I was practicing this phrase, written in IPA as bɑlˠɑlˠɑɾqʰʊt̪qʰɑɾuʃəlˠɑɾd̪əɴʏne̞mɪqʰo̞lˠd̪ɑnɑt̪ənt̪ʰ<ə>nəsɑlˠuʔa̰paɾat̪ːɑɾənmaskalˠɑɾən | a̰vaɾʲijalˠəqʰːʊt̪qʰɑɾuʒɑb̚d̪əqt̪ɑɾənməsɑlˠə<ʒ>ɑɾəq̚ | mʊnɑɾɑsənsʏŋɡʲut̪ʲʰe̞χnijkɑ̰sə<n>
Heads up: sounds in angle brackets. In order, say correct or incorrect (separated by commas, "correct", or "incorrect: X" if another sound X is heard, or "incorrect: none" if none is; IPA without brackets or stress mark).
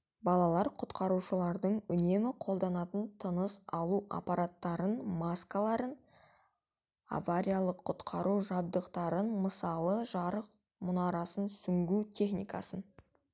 correct, correct, correct